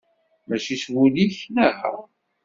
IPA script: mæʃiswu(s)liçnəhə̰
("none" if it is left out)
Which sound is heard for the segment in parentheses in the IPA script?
none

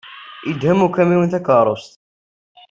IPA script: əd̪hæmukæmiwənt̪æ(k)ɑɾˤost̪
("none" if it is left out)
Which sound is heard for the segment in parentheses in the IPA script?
k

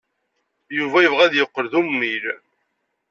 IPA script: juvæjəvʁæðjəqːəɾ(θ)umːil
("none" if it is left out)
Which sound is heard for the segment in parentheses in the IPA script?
ð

